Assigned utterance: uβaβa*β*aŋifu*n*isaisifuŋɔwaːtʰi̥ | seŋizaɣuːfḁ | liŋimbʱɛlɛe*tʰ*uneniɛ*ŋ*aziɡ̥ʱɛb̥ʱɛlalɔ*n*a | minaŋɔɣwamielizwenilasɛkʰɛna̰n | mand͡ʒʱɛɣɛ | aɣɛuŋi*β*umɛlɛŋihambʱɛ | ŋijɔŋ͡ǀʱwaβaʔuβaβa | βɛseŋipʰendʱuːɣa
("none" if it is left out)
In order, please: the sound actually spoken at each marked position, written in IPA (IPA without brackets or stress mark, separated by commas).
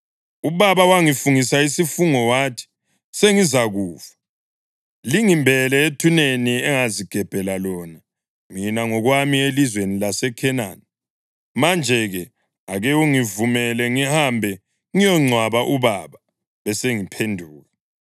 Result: w, ŋ, tʰ, ŋ, n, v